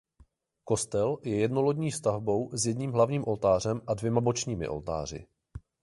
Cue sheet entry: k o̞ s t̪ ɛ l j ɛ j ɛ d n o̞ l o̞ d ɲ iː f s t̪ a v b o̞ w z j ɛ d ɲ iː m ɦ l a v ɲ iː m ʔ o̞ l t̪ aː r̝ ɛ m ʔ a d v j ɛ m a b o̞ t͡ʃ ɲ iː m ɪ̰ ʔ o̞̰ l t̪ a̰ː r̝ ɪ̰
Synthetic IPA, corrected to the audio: k o̞ s t̪ ɛ l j ɛ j ɛ d n o̞ l o̞ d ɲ iː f s t̪ a v b o̞ w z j ɛ d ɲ iː m ɦ l a v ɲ iː m ʔ o̞ l t̪ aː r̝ ɛ m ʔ a d v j ɛ m a b o̞ t͡ʃ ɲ iː m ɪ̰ ʔ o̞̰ l t̪ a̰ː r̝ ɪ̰